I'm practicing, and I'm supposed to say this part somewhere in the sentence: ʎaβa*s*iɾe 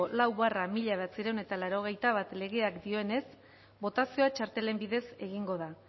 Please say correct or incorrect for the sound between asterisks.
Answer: incorrect